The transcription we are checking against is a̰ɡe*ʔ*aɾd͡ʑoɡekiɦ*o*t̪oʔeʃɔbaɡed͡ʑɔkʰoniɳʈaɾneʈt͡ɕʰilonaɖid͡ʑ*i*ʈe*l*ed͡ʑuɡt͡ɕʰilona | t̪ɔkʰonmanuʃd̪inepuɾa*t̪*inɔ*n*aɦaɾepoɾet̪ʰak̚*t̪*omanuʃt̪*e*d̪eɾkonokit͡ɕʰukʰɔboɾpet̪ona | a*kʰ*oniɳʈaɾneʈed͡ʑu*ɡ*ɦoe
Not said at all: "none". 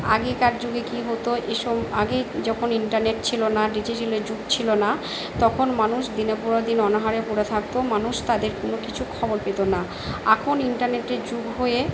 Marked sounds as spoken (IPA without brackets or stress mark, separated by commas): k, o, i, l, d̪, n, t̪, a, kʰ, ɡ